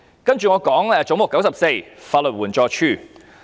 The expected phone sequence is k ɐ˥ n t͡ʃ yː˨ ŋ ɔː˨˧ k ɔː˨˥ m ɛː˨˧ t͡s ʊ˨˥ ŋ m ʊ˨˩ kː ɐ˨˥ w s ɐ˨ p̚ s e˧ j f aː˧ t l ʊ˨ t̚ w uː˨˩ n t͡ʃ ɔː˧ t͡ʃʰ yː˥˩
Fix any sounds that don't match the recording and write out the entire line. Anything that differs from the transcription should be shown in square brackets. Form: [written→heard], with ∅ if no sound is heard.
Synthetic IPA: k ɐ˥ n t͡ʃ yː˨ ŋ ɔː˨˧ k ɔː˨˥ [m→ŋ] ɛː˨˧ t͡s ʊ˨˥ ŋ m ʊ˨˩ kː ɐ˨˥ w s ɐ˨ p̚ s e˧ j f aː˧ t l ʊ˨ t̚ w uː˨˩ n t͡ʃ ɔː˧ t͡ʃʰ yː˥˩